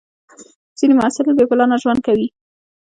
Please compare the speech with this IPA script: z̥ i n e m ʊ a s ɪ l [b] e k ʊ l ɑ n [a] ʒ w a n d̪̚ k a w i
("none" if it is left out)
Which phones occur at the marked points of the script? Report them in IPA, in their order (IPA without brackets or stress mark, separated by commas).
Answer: b, a